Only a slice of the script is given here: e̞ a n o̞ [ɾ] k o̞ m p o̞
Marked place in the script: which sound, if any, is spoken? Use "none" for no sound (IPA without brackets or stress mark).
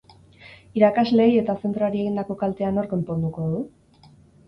ɾ